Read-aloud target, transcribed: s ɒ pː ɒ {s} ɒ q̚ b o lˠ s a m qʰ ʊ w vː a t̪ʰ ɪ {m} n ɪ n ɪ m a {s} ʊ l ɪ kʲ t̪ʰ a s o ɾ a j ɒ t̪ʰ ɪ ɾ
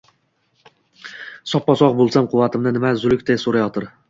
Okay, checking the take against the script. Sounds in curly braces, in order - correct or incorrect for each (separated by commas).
correct, correct, incorrect